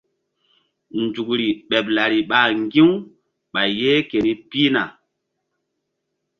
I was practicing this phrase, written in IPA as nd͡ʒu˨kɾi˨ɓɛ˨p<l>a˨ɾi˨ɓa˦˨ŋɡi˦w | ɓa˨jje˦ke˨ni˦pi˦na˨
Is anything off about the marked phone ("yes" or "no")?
no